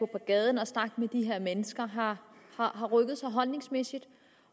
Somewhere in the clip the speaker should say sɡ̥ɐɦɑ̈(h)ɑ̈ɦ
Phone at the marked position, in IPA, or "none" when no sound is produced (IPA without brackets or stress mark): h